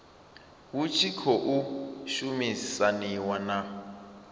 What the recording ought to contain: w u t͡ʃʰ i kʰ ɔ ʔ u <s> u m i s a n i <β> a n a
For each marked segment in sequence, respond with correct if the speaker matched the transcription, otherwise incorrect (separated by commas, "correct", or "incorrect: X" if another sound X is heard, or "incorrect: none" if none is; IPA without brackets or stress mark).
incorrect: ʃ, incorrect: w